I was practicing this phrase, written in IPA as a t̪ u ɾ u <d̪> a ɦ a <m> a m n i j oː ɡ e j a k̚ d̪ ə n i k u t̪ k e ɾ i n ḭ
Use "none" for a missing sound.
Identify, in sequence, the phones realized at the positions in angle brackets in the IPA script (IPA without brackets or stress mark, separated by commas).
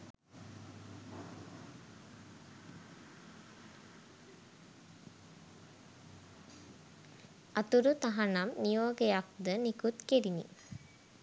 t̪, n